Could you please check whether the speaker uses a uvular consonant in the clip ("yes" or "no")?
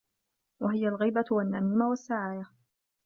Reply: no